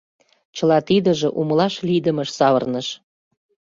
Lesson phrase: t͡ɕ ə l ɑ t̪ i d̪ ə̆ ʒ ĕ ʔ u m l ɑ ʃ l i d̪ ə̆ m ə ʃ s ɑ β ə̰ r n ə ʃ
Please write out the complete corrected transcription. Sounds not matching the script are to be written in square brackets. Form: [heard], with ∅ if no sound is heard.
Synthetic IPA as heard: t͡ɕ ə l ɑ t̪ i d̪ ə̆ ʒ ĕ ʔ u m l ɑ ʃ l i d̪ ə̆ m ə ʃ s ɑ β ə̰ r n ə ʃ